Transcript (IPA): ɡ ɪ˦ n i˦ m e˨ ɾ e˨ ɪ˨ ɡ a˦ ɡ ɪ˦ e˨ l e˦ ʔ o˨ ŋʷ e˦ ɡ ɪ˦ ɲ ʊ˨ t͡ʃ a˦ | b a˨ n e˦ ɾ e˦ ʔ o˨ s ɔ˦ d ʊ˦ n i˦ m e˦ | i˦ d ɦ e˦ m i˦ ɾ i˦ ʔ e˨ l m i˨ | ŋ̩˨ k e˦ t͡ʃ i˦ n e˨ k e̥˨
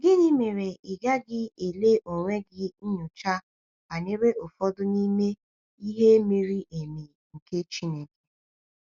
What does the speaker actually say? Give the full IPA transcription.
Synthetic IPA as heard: ɡ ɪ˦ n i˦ m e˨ ɾ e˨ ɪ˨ ɡ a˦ ɡ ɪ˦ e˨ l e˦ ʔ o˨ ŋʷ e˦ ɡ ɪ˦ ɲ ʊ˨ t͡ʃ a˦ | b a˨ n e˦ ɾ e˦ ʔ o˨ f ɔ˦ d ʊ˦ n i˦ m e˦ | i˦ ɦ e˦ m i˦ ɾ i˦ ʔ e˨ m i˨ | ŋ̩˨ k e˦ t͡ʃ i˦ n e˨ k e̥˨

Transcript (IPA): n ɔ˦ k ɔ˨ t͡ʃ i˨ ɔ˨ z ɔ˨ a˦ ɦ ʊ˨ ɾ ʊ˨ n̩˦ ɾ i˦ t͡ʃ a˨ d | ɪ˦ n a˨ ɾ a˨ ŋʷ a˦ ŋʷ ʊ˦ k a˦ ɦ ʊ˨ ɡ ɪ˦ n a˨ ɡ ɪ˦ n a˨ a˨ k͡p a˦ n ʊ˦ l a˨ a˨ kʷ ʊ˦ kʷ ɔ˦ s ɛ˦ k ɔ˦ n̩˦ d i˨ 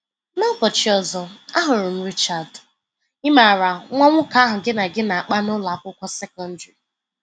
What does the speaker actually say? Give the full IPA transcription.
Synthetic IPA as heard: n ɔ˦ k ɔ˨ t͡ʃ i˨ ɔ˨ z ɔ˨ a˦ ɦ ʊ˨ ɾ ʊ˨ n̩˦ ɾ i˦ t͡ʃ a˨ d | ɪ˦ m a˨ ɾ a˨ ŋʷ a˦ ŋʷ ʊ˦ k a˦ ɦ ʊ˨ ɡ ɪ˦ n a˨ ɡ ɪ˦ n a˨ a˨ k͡p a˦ n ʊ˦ l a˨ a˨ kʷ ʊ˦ kʷ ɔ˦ s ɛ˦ k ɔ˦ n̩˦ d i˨

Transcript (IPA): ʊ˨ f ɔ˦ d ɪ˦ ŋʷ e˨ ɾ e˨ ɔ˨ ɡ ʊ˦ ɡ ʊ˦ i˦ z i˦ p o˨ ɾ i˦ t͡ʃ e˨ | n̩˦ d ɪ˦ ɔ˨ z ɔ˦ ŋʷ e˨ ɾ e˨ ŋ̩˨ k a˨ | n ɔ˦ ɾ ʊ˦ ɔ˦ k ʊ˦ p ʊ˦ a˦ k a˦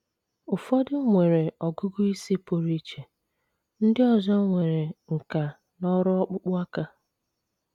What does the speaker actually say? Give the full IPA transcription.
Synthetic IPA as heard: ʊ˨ f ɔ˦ d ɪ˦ ŋʷ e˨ ɾ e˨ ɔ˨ ɡ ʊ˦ ɡ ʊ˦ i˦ s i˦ p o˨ ɾ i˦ t͡ʃ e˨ | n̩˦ d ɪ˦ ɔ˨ z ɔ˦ ŋʷ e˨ ɾ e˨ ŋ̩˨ k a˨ | n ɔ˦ ɾ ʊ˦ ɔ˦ k͡p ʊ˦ k͡p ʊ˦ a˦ k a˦

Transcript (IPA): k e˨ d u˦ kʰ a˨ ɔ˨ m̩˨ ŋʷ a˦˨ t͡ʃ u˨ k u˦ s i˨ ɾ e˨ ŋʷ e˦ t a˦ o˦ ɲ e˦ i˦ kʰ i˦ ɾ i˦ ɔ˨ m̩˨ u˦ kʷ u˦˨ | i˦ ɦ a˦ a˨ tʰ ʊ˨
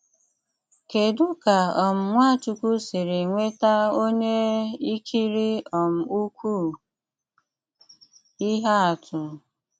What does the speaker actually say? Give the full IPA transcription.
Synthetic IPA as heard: k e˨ d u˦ k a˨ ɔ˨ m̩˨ ŋʷ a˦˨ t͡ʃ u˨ k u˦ s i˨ ɾ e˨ ŋʷ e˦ t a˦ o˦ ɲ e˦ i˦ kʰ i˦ ɾ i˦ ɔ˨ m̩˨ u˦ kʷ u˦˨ | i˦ ɦ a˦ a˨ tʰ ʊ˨

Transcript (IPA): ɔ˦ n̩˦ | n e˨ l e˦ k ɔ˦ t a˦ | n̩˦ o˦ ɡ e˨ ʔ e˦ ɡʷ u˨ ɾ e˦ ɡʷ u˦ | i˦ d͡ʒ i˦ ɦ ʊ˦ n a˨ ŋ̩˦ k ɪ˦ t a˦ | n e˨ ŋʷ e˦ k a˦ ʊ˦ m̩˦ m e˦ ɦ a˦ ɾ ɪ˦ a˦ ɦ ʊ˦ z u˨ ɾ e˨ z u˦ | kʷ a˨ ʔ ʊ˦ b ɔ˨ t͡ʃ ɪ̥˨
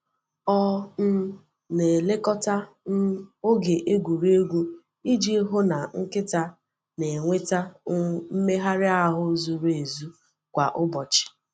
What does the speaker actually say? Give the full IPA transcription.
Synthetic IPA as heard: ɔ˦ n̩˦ | n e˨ l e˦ k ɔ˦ t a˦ | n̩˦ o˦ ɡ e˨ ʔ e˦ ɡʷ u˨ ɾ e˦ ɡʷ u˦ | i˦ d͡ʒ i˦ ɦ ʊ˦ n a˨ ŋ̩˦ k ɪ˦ t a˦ | n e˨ ŋʷ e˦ t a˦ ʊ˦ m̩˦ m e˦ ɦ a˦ ɾ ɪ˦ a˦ ɦ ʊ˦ z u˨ ɾ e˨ z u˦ | kʷ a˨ ʔ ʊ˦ b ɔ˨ t͡ʃ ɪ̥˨

